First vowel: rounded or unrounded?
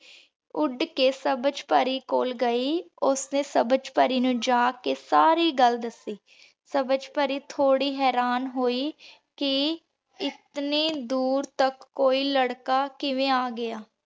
rounded